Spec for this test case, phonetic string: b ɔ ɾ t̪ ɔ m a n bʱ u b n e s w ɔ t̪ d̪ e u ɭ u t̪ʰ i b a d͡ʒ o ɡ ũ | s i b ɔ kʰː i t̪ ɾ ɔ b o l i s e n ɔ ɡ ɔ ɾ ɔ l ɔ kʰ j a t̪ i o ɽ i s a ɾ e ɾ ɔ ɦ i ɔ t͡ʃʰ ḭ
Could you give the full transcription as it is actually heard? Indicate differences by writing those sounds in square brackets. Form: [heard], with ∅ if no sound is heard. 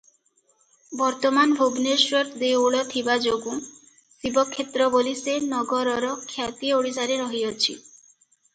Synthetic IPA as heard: b ɔ ɾ t̪ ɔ m a n bʱ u b n e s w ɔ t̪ d̪ e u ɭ [ɔ] t̪ʰ i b a d͡ʒ o ɡ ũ | s i b ɔ kʰː [e] t̪ ɾ ɔ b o l i s e n ɔ ɡ ɔ ɾ ɔ [ɾ] ɔ kʰ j a t̪ i o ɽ i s a ɾ e ɾ ɔ ɦ i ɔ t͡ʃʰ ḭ